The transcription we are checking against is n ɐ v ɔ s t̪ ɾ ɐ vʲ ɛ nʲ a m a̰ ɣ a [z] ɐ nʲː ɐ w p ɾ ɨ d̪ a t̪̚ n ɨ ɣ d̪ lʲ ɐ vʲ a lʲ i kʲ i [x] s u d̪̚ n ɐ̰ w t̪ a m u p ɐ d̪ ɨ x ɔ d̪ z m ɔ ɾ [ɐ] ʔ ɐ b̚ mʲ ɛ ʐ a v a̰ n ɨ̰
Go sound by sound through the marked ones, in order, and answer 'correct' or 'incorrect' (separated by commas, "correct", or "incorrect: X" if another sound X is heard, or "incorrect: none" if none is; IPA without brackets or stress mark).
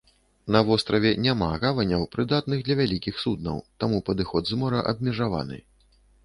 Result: incorrect: v, correct, correct